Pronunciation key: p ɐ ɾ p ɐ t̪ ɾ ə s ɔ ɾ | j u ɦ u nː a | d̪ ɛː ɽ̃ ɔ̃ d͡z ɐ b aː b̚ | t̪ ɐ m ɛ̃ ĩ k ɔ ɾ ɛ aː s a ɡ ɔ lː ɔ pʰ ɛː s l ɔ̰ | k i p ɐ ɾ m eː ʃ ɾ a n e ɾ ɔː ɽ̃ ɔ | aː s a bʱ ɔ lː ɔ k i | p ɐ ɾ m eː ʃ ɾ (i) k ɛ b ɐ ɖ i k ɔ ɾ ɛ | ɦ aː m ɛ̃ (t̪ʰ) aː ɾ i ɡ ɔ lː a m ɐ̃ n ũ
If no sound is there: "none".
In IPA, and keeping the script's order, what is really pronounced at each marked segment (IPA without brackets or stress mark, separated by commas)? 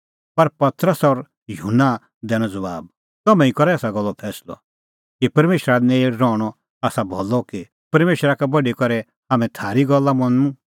a, t̪ʰ